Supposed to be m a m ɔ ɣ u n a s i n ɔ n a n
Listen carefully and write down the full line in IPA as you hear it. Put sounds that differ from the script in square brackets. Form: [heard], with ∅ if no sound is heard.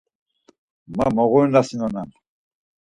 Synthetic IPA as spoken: m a m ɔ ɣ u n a s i n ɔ n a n